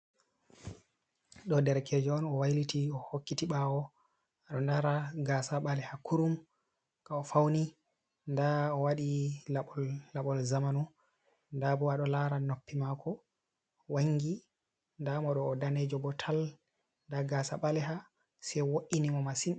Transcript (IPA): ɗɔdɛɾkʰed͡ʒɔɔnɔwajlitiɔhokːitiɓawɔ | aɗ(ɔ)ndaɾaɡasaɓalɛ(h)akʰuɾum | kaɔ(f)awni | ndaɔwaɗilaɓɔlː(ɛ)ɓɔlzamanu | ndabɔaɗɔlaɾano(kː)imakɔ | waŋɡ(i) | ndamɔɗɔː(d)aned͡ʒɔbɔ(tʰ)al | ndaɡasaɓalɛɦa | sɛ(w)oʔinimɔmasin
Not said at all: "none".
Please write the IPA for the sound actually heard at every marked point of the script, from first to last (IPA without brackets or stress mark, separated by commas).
ɔ, h, f, a, pː, i, d, tʰ, w